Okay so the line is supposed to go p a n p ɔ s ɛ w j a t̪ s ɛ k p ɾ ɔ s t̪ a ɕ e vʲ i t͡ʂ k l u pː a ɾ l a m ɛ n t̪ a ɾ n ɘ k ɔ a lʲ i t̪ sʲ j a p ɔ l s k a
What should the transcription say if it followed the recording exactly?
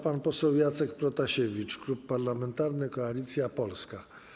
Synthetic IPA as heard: p a n p ɔ s ɛ w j a t̪ s ɛ k p ɾ ɔ t̪ a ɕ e vʲ i t͡ʂ k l u pː a ɾ l a m ɛ n t̪ a ɾ n ɘ k ɔ a lʲ i t̪ sʲ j a p ɔ l s k a